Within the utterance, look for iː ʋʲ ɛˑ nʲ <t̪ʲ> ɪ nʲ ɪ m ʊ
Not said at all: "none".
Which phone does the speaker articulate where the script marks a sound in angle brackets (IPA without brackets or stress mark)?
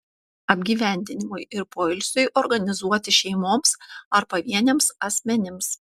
d̪ʲ